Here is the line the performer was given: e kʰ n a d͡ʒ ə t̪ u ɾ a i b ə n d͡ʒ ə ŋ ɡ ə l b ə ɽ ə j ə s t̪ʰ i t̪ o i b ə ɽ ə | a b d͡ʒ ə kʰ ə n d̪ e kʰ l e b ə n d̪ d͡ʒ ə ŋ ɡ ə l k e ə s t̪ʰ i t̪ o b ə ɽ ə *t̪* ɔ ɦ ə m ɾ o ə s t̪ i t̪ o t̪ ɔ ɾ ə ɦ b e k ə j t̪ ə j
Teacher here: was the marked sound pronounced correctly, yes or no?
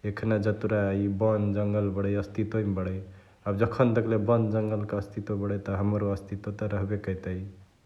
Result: yes